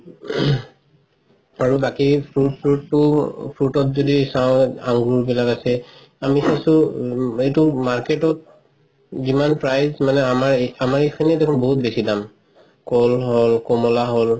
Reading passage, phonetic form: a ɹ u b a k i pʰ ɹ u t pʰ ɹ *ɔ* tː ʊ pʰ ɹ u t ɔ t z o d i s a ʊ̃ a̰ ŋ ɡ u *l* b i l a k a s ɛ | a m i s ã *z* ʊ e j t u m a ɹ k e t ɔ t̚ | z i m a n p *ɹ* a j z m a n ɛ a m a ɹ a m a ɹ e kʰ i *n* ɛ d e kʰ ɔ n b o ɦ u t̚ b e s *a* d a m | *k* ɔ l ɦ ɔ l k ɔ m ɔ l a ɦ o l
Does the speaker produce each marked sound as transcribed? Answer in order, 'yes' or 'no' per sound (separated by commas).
no, no, no, yes, yes, no, yes